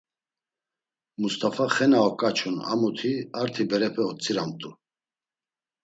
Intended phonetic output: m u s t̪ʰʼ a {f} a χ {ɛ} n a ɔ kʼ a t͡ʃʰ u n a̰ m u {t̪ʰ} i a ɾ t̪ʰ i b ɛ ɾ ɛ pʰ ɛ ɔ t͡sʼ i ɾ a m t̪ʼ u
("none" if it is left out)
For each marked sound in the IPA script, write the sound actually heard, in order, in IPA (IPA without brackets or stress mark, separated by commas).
f, ɛ, t̪ʰ